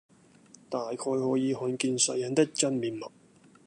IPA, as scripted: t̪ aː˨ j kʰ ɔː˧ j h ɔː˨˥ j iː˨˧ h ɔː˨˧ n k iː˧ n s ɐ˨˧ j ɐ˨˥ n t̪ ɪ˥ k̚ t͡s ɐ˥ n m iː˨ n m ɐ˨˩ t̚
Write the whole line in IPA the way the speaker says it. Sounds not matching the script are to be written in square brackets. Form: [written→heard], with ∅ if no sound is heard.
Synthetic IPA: t̪ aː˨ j kʰ ɔː˧ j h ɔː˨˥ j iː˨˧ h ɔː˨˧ n k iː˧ n s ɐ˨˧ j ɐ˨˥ n t̪ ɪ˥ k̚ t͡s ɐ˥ n m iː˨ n m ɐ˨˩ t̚